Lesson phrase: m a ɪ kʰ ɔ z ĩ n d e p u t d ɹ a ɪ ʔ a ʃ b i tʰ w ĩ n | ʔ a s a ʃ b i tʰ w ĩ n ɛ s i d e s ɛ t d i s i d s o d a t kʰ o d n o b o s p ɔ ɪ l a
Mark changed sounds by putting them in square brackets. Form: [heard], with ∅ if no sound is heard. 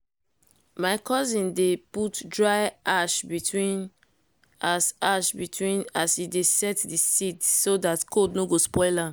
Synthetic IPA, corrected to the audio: m a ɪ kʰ ɔ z ĩ n d e p u t d ɹ a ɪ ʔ a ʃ b i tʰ w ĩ n | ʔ a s a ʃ b i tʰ w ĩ n [a] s i d e s ɛ t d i s i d s o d a t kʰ o d n o [ɡ] o s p ɔ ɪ l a